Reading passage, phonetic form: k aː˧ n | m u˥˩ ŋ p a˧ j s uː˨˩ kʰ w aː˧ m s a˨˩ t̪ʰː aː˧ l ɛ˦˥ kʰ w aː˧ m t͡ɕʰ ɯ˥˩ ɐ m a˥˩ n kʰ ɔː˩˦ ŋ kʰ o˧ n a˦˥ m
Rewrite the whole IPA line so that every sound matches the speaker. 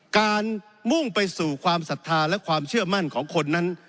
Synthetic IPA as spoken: k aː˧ n | m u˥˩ ŋ p a˧ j s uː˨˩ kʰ w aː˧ m s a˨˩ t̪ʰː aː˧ l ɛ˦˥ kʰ w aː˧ m t͡ɕʰ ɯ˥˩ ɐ m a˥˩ n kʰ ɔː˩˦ ŋ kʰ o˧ nː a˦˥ n